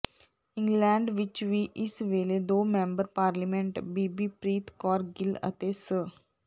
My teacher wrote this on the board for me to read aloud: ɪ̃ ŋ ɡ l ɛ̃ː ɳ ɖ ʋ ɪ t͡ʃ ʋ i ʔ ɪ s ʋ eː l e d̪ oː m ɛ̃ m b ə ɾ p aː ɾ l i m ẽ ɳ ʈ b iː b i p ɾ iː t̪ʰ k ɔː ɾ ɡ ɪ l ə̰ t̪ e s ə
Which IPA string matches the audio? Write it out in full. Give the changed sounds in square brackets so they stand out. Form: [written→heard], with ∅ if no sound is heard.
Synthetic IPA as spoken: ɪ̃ ŋ ɡ l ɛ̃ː ɳ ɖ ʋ ɪ t͡ʃ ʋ i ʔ ɪ s ʋ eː l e d̪ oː m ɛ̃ m b ə ɾ p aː ɾ l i m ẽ ɳ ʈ b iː b i p ɾ iː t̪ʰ k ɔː ɾ ɡ ɪ l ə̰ t̪ e s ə